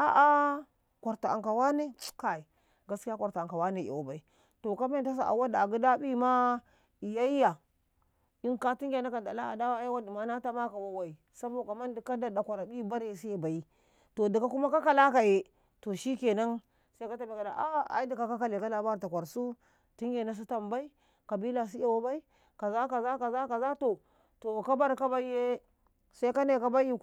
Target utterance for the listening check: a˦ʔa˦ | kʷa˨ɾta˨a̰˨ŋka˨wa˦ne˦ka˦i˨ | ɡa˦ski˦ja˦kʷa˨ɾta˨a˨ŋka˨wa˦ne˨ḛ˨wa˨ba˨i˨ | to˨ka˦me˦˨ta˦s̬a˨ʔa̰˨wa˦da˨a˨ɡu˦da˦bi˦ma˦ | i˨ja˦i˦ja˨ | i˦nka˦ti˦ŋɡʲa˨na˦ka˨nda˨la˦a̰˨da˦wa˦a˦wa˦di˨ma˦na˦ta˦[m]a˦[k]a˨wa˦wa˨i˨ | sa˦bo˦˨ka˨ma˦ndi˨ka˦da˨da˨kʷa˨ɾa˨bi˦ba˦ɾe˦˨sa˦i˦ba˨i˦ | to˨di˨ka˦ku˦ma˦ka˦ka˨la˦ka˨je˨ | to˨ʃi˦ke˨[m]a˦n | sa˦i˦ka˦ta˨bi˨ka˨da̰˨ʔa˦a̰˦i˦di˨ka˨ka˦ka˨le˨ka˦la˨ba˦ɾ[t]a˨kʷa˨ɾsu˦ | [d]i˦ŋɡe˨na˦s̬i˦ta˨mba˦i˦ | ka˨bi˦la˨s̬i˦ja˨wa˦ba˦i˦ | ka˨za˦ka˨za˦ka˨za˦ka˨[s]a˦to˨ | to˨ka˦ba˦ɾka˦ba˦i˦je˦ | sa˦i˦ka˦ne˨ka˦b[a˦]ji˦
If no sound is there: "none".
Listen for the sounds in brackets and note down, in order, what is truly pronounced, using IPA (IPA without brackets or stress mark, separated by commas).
m, k, n, t, t, z, a˦